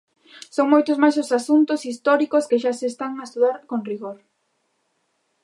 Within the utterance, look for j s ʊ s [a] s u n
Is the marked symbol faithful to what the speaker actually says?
yes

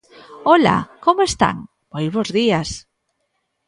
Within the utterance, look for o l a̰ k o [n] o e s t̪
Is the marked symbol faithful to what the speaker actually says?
no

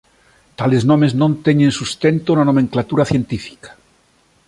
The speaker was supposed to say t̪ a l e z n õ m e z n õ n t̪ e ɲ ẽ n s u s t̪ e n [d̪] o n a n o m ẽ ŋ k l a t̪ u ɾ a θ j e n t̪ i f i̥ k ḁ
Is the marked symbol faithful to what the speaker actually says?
no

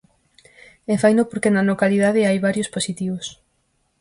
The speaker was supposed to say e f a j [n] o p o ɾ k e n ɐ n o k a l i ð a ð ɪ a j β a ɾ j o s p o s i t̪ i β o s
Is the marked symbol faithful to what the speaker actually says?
yes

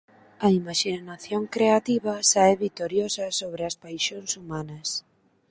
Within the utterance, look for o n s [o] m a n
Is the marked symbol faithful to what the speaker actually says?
no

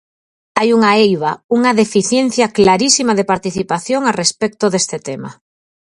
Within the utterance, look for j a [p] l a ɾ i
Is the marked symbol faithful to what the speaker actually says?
no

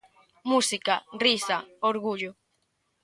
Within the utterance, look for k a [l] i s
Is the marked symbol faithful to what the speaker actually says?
no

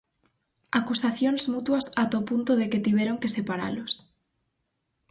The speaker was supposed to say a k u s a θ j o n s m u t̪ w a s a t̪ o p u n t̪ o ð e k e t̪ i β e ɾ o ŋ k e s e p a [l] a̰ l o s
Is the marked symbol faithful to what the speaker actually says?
no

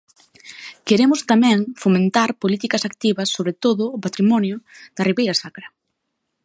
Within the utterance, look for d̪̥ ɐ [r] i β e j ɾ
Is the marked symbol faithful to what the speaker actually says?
yes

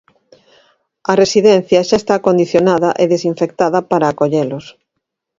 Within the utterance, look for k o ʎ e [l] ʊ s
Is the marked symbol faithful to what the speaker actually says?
yes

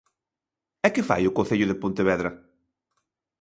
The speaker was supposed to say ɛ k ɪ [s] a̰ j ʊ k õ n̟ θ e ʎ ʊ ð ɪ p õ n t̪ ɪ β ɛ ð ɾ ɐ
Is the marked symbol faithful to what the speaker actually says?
no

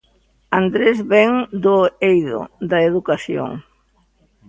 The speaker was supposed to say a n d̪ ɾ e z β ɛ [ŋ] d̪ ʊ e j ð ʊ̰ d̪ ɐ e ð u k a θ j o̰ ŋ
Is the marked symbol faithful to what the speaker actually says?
yes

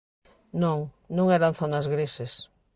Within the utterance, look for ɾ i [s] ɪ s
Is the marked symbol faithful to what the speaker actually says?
yes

